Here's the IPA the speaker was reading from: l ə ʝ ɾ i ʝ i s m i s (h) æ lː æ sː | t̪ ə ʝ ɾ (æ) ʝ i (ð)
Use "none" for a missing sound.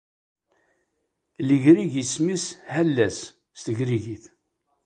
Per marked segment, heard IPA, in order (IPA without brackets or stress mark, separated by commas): h, i, θ